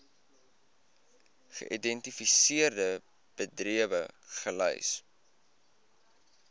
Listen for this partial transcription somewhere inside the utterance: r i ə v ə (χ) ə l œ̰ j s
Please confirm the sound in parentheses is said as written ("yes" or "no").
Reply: yes